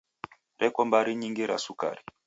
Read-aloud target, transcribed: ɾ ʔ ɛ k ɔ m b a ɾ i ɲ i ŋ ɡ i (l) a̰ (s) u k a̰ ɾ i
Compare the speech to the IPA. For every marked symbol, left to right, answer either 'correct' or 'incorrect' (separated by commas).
incorrect, correct